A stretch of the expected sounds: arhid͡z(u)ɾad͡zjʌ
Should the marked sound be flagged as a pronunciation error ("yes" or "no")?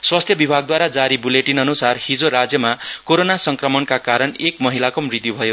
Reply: yes